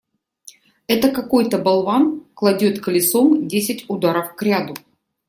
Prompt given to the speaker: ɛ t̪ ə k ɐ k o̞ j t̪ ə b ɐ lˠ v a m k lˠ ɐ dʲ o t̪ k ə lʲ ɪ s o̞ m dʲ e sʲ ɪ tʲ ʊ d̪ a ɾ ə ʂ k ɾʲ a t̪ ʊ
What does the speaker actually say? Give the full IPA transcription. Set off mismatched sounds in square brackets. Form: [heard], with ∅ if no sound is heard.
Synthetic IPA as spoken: ɛ t̪ ə k ɐ k o̞ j t̪ ə b ɐ lˠ v a [n] k lˠ ɐ dʲ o t̪ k ə lʲ ɪ s o̞ m dʲ e sʲ ɪ tʲ ʊ d̪ a ɾ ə [f] k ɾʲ a [d̪] ʊ